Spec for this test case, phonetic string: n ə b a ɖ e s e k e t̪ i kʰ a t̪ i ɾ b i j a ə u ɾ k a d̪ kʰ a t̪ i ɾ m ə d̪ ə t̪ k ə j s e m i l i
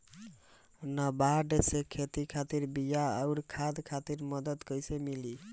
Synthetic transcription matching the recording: n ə b a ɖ e s e kʰ e t̪ i kʰ a t̪ i ɾ b i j a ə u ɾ kʰ a d̪ kʰ a t̪ i ɾ m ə d̪ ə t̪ k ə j s e m i l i